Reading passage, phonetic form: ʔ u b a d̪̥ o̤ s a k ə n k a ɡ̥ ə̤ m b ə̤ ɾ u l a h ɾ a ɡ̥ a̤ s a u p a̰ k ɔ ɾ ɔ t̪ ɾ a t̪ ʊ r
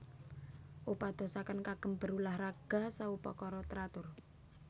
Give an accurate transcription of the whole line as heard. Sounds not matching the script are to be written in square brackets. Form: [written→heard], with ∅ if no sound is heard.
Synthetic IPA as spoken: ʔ u [b→p] a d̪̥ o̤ s a k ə n k a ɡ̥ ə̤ m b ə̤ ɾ u l a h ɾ a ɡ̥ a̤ s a u p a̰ k ɔ ɾ ɔ t̪ ɾ a t̪ ʊ r